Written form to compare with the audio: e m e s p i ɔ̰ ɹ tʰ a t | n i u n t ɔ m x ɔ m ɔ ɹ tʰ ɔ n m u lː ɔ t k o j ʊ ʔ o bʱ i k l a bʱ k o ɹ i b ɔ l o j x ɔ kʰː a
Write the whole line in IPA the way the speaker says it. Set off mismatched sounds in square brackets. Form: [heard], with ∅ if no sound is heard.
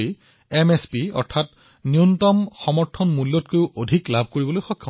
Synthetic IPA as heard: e m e s p i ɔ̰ ɹ tʰ a t | n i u n t ɔ m x ɔ m ɔ ɹ tʰ ɔ n m u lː ɔ t k o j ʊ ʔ o [dʱ] i k l a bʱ k o ɹ i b ɔ l o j x ɔ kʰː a